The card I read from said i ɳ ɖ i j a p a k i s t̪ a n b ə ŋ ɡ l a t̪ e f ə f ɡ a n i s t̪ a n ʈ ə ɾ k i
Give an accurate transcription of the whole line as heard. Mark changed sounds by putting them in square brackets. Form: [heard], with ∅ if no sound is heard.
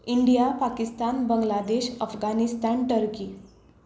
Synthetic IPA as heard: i ɳ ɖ i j a p a k i s t̪ a n b ə ŋ ɡ l a [d̪] e [ɕ] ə f ɡ a n i s t̪ a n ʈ ə ɾ k i